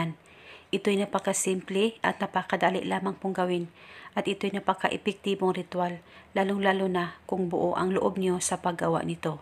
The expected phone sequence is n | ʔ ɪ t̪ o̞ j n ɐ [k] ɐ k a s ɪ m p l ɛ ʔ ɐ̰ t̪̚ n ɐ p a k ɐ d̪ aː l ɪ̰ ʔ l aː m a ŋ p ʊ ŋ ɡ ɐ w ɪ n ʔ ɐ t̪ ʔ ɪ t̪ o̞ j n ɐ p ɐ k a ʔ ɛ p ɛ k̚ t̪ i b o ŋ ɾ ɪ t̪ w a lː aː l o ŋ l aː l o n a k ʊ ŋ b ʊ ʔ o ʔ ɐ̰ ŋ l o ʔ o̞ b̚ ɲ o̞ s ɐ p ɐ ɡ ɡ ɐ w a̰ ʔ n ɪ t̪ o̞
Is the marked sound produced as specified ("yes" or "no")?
no